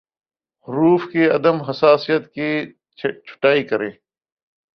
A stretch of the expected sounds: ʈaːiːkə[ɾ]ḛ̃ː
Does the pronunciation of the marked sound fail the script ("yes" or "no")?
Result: no